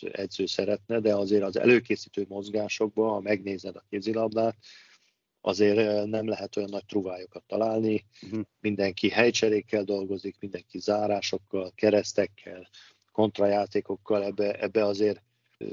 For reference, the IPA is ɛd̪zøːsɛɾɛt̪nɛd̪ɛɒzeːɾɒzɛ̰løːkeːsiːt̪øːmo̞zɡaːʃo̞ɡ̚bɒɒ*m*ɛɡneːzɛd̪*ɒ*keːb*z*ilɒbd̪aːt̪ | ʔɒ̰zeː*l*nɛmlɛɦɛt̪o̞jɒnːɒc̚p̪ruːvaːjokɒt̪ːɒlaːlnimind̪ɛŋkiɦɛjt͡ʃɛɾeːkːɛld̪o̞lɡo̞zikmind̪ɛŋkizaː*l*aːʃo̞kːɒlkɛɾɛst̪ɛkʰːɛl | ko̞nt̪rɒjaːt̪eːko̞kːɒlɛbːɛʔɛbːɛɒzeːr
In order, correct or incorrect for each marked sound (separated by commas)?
correct, correct, correct, incorrect, incorrect